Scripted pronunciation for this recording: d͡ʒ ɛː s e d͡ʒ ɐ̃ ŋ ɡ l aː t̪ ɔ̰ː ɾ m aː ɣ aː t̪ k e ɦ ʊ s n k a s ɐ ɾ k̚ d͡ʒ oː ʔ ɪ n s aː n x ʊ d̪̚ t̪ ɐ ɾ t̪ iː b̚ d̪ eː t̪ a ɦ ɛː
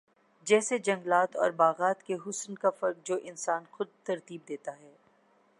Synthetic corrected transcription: d͡ʒ ɛː s e d͡ʒ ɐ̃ ŋ ɡ l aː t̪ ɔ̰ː ɾ b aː ɣ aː t̪ k e ɦ ʊ s n k a f ɐ ɾ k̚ d͡ʒ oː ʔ ɪ n s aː n x ʊ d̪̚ t̪ ɐ ɾ t̪ iː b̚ d̪ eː t̪ a ɦ ɛː